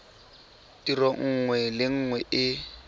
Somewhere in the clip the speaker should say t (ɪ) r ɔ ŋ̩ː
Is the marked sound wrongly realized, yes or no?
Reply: yes